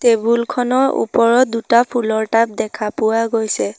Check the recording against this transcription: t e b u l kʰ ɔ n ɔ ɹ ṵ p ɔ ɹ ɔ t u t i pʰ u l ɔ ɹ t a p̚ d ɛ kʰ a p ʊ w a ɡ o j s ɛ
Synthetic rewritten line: t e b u l kʰ ɔ n ɔ ɹ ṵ p ɔ ɹ ɔ d u t a pʰ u l ɔ ɹ t a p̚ d ɛ kʰ a p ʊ w a ɡ o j s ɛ